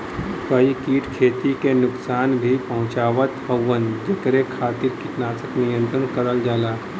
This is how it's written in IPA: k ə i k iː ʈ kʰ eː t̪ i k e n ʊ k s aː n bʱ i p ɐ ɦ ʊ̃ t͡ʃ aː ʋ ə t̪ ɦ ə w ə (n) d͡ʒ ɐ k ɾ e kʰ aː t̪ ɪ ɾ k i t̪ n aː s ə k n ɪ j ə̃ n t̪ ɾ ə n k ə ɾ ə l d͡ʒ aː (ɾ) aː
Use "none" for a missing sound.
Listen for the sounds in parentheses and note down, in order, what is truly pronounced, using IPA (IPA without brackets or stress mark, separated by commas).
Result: n, l